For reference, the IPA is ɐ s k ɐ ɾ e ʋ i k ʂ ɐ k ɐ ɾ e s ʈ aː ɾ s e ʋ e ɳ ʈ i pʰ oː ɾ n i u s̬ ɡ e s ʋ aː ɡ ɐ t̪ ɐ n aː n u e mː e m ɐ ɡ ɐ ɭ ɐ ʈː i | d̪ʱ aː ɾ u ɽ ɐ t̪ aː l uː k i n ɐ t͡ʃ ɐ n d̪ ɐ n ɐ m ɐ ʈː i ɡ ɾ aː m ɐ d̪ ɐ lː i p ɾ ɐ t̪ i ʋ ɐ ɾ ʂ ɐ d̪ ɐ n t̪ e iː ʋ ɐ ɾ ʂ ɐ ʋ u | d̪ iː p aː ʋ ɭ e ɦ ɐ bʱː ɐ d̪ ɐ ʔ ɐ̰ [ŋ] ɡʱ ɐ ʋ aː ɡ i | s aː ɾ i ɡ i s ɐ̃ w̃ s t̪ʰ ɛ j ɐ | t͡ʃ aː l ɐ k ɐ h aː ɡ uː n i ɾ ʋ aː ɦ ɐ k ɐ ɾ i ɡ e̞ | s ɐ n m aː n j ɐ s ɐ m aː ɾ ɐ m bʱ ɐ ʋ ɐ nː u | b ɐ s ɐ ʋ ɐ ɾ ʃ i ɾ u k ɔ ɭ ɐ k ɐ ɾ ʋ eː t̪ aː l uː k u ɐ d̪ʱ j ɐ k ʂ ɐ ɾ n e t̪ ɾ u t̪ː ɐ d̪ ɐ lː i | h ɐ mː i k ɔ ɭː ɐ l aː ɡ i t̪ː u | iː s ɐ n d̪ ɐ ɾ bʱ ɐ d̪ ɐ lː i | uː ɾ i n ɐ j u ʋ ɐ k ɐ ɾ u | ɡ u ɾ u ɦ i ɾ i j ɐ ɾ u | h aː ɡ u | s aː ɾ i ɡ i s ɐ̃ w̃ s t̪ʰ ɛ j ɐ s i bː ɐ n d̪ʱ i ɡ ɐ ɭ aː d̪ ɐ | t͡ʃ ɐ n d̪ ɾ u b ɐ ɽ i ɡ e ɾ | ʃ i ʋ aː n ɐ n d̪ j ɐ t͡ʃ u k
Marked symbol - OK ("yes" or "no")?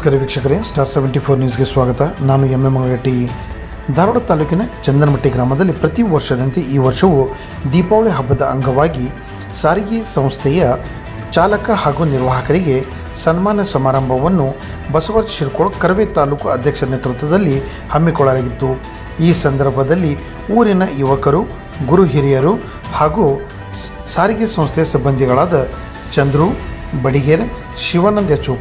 yes